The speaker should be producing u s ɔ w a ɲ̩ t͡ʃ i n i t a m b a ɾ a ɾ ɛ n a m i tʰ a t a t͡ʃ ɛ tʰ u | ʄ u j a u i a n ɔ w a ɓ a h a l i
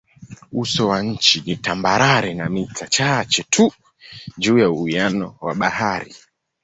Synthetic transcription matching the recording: u s ɔ w a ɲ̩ t͡ʃ i n i t a m b a ɾ a ɾ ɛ n a m i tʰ a t͡ʃ a t͡ʃ ɛ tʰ u | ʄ uː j a u i a n ɔ w a ɓ a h a ɾ i

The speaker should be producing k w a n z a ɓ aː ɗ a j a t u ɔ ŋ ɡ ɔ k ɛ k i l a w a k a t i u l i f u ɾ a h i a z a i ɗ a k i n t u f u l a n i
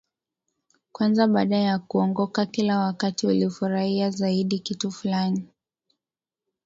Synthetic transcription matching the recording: k w a n z a ɓ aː ɗ a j a k u ɔ ŋ ɡ ɔ k a k i l a w a k a t i u l i f u ɾ a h i a z a i ɗ i k i t u f u l a n i

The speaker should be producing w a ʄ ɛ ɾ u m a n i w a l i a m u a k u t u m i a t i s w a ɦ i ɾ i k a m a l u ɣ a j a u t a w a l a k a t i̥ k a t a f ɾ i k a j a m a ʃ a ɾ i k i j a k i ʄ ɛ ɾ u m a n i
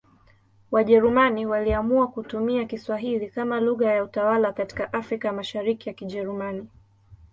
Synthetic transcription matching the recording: w a ʄ ɛ ɾ u m a n i w a l i a m u a k u t u m i a k i s w a ɦ i l i k a m a l u ɣ a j a u t a w a l a k a t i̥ k a ʔ a f ɾ i k a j a m a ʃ a ɾ i k i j a k i ʄ ɛ ɾ u m a n i

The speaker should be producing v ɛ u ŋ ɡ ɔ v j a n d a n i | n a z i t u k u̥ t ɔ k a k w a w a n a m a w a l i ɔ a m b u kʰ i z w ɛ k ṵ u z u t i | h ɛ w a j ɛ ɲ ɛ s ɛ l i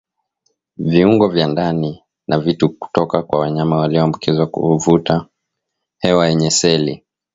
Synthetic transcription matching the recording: v i u ŋ ɡ ɔ v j a n d a n i | n a v i t u k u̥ t ɔ k a k w a w a ɲ a m a w a l i ɔ a m b u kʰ i z w a k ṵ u v u t a | h ɛ w a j ɛ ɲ ɛ s ɛ l i

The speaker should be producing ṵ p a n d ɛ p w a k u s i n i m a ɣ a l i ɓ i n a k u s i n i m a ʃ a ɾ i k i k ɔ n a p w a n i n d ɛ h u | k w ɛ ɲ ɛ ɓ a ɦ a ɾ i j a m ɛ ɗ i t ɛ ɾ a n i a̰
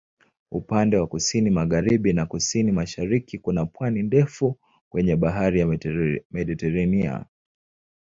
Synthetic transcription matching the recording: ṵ p a n d ɛ w a k u s i n i m a ɣ a ɾ i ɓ i n a k u s i n i m a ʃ a ɾ i k i k u n a p w a n i n d ɛ f u | k w ɛ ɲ ɛ ɓ a ɦ a ɾ i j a m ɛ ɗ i t ɛ ɾ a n i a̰

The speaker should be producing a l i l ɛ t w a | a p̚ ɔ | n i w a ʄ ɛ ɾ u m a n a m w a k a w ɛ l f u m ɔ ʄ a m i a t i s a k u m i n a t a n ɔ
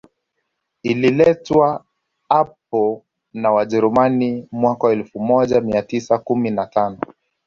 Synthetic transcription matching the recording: i l i l ɛ t w a | a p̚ ɔ | n a w a ʄ ɛ ɾ u m a n i m w a k a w ɛ l f u m ɔ ʄ a m i a t i s a k u m i n a t a n ɔ

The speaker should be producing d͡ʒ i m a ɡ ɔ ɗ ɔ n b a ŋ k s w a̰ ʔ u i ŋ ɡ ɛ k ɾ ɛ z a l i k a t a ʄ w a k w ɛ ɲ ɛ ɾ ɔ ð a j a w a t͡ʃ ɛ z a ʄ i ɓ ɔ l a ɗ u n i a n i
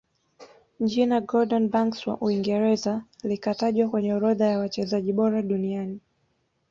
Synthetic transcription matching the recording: d͡ʒ i n a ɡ ɔ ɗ ɔ n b a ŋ k s w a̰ ʔ u i ŋ ɡ ɛ ɾ ɛ z a l i k a t a ʄ w a k w ɛ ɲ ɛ ɾ ɔ ð a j a w a t͡ʃ ɛ z a ʄ i ɓ ɔ ɾ a ɗ u n i a n i

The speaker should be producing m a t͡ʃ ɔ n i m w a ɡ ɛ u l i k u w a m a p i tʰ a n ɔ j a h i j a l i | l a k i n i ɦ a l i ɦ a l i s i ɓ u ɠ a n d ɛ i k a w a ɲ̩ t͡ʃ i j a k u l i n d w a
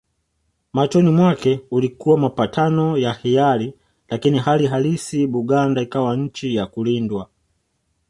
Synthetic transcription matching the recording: m a t͡ʃ ɔ n i m w a k ɛ u l i k u w a m a p a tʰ a n ɔ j a h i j a l i | l a k i n i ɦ a l i ɦ a l i s i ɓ u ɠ a n d a i k a w a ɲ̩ t͡ʃ i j a k u l i n d w a

